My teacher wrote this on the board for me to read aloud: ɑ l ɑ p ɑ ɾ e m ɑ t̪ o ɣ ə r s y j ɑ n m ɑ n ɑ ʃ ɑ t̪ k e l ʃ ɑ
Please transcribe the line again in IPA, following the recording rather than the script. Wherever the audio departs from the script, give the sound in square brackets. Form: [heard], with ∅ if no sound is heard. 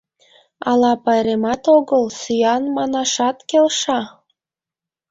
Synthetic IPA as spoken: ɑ l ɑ p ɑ ɾ e m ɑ t̪ o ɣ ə [l] s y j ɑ n m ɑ n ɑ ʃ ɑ t̪ k e l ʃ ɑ